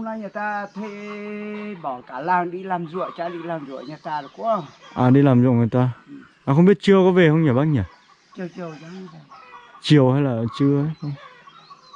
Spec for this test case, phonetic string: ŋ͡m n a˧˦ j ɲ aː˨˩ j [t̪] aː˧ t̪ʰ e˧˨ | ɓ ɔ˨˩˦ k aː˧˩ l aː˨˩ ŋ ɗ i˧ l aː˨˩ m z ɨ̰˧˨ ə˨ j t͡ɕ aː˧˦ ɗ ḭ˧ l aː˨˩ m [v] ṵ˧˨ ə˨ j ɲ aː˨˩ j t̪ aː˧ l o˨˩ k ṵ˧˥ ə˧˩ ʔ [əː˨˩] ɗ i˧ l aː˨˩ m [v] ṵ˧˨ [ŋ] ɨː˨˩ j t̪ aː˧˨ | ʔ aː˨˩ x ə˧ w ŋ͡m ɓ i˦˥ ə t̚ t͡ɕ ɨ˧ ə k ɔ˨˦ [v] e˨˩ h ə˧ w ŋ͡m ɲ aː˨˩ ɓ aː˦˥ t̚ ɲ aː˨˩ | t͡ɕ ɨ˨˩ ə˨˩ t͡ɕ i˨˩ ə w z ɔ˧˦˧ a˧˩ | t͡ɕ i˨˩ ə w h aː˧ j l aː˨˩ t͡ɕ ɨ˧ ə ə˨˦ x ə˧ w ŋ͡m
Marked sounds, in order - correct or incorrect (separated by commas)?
correct, incorrect, incorrect, incorrect, correct, correct